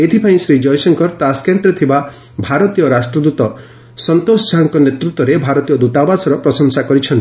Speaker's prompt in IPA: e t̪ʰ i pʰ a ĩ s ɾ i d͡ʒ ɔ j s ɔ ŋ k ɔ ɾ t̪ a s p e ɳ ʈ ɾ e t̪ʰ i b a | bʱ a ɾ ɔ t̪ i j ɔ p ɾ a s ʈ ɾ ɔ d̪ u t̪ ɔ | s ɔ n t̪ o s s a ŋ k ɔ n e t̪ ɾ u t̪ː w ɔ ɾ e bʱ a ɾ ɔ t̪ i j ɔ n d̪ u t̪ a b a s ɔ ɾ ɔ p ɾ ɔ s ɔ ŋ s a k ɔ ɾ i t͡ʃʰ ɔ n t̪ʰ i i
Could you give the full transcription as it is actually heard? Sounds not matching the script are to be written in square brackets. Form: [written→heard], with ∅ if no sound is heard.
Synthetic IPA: e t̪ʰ i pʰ a ĩ s ɾ i d͡ʒ ɔ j s ɔ ŋ k ɔ ɾ t̪ a s [p→k] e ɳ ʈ ɾ e t̪ʰ i b a | bʱ a ɾ ɔ t̪ i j ɔ [p→∅] ɾ a s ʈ ɾ ɔ d̪ u t̪ ɔ | s ɔ n t̪ o s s a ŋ k ɔ n e t̪ ɾ u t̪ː w ɔ ɾ e bʱ a ɾ ɔ t̪ i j ɔ [n→∅] d̪ u t̪ a b a s ɔ ɾ ɔ p ɾ ɔ s ɔ ŋ s a k ɔ ɾ i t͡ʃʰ ɔ n [t̪ʰ→t̪] i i